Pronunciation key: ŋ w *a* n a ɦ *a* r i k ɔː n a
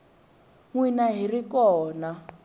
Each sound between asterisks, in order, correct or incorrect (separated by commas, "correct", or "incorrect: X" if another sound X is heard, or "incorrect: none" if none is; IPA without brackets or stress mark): incorrect: i, incorrect: i